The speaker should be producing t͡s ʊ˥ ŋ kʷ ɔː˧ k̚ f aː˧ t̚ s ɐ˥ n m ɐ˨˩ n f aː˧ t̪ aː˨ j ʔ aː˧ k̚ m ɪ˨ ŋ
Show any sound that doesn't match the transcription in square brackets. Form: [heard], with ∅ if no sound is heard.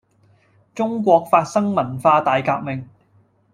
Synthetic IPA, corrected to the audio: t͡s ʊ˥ ŋ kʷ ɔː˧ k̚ f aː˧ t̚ s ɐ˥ [ŋ] m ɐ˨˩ n f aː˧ t̪ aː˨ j [k] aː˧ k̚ m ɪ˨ ŋ

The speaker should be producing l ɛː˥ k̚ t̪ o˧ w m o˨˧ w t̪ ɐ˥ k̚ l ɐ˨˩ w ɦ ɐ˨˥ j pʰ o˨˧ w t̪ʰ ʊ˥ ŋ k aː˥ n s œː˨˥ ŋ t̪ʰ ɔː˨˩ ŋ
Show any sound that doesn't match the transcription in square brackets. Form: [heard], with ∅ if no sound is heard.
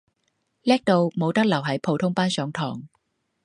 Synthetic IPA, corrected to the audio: l ɛː˥ k̚ t̪ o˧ w m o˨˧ w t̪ ɐ˥ k̚ l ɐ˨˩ w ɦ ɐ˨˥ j pʰ o˨˧ w t̪ʰ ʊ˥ ŋ [p] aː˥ n s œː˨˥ ŋ t̪ʰ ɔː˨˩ ŋ

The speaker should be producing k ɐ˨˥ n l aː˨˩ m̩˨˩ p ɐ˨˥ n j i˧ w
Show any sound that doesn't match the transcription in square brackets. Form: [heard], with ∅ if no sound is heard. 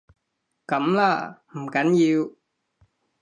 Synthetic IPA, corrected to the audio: k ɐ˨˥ [m] l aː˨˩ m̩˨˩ [k] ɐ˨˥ n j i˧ w

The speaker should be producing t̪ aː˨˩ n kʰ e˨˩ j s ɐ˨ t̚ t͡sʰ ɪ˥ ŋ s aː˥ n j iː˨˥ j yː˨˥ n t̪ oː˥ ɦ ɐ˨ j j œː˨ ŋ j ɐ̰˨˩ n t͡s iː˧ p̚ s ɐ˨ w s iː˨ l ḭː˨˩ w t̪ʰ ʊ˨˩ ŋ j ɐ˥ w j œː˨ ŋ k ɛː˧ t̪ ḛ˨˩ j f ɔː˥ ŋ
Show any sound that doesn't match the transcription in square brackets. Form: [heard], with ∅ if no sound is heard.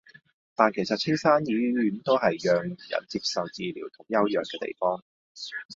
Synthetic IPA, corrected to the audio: t̪ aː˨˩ n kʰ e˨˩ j s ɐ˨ t̚ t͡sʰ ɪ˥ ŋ s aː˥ n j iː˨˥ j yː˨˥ n t̪ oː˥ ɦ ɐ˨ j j œː˨ ŋ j ɐ̰˨˩ n t͡s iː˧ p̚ s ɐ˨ w [t͡s] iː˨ l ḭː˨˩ w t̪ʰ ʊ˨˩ ŋ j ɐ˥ w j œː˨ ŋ k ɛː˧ t̪ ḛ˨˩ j f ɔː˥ ŋ

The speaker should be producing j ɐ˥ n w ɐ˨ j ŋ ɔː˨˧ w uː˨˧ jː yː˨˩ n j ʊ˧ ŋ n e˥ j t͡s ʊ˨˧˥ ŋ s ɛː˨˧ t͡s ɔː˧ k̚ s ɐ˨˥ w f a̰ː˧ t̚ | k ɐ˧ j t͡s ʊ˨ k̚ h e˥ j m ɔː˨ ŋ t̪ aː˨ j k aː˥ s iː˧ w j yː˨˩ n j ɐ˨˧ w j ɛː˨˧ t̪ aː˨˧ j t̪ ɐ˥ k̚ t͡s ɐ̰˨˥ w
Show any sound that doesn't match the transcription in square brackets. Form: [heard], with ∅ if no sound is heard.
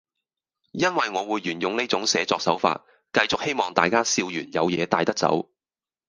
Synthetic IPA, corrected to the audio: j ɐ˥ n w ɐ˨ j ŋ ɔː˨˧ w uː˨˧ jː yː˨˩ n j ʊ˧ ŋ n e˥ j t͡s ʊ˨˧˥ ŋ s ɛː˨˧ t͡s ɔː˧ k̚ s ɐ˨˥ w f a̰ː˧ t̚ | k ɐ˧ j t͡s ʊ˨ k̚ h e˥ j m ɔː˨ ŋ t̪ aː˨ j k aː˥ s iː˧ w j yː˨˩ n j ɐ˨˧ w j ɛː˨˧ t̪ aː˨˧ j t̪ ɐ˥ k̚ t͡s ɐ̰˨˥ w

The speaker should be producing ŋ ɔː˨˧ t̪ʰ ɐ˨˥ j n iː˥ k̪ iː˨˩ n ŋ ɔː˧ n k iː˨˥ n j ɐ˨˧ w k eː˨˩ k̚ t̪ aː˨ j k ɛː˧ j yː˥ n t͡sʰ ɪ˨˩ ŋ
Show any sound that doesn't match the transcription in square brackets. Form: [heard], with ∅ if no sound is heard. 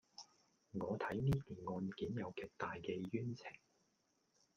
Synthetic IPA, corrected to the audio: ŋ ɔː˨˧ t̪ʰ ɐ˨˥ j n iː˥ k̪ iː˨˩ n ŋ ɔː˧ n k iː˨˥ n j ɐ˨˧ w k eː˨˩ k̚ t̪ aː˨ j k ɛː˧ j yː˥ n t͡sʰ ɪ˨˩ ŋ

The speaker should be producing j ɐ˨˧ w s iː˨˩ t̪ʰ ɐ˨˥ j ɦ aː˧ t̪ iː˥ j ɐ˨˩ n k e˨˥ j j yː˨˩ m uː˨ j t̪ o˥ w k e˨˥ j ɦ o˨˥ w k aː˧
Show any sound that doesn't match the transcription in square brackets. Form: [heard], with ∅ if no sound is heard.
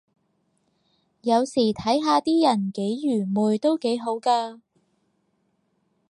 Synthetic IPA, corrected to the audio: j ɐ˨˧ w s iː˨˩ t̪ʰ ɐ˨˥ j ɦ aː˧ t̪ iː˥ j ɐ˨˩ n k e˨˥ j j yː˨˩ m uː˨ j t̪ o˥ w k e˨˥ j ɦ o˨˥ w k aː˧

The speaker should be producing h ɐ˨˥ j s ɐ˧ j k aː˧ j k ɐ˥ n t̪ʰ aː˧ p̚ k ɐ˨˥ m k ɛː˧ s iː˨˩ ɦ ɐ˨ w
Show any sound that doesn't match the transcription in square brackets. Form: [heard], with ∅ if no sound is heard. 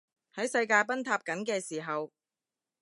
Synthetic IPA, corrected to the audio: h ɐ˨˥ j s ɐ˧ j k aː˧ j [p] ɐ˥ n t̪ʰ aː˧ p̚ k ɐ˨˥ [n] k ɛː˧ s iː˨˩ ɦ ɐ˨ w

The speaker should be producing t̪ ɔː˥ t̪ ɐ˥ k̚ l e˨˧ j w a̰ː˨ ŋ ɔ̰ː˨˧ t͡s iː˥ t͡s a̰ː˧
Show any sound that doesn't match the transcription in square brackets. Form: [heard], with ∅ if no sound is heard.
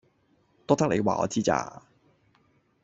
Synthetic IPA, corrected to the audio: t̪ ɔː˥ t̪ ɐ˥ k̚ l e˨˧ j w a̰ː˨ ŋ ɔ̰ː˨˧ t͡s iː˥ t͡s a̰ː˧

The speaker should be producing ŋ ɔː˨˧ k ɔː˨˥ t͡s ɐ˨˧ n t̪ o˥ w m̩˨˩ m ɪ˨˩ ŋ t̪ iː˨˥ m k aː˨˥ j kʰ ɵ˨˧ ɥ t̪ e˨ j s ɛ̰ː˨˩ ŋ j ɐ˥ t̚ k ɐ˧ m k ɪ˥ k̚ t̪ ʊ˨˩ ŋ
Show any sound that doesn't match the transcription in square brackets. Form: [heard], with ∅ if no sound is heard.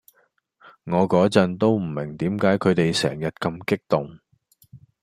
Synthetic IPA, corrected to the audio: ŋ ɔː˨˧ k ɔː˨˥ t͡s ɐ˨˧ n t̪ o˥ w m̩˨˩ m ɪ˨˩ ŋ t̪ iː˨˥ m k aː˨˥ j kʰ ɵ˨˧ ɥ t̪ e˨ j s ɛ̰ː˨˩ ŋ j [ɐ˨˩] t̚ k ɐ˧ m k ɪ˥ k̚ t̪ ʊ˨˩ ŋ

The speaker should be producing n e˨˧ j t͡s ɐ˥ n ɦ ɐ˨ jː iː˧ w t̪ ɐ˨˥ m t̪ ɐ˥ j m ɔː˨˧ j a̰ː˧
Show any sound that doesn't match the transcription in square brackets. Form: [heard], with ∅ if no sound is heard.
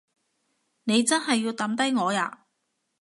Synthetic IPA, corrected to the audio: n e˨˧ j t͡s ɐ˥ n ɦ ɐ˨ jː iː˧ w t̪ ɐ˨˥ m t̪ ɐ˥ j [ŋ] ɔː˨˧ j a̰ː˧

